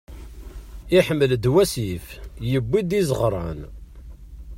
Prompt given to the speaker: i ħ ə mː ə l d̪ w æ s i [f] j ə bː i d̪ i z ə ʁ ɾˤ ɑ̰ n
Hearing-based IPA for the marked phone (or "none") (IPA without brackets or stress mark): f